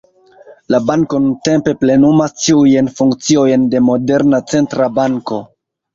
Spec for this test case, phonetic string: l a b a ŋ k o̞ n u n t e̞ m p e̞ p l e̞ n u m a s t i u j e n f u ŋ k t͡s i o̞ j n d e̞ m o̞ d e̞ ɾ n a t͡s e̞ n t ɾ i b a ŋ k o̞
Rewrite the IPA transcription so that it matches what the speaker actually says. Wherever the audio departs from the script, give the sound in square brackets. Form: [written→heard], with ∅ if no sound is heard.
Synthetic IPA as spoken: l a b a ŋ k o̞ n u n t e̞ m p e̞ p l e̞ n u m a s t i u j e n f u ŋ k t͡s i o̞ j n d e̞ m o̞ d e̞ ɾ n a t͡s e̞ n t ɾ [i→a] b a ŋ k o̞